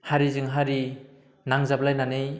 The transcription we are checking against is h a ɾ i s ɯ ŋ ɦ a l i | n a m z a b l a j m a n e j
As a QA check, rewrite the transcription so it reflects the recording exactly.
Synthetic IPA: h a ɾ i z ɯ ŋ ɦ a ɾ i | n a ŋ z a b l a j n a n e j